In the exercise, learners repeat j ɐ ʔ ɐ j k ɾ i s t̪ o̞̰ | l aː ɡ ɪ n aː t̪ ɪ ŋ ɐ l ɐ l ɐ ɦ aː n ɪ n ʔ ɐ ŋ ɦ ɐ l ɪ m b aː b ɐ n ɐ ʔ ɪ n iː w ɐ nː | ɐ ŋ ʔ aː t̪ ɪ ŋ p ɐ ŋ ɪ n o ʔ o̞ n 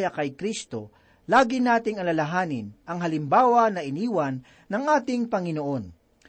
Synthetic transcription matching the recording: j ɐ k ɐ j k ɾ i s t̪ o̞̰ | l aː ɡ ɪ n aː t̪ ɪ ŋ ɐ l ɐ l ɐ ɦ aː n ɪ n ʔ ɐ ŋ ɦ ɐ l ɪ m b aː w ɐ n ɐ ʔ ɪ n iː w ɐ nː | ɐ ŋ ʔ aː t̪ ɪ ŋ p ɐ ŋ ɪ n o ʔ o̞ n